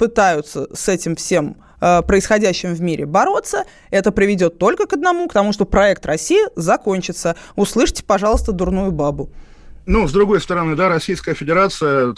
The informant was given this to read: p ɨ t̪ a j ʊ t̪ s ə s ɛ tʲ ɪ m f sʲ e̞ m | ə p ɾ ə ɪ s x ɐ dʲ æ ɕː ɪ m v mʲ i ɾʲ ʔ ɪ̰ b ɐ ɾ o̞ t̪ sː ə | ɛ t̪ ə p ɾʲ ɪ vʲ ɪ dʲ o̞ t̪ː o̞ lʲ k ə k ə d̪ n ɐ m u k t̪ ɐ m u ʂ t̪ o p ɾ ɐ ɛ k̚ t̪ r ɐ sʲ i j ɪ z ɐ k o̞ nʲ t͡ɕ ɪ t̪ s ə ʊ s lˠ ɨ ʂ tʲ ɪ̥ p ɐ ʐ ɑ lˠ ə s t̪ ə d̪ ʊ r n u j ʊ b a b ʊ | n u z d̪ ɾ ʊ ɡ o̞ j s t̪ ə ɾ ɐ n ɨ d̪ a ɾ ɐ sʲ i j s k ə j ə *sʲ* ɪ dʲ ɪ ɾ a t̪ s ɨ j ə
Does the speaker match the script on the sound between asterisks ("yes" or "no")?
no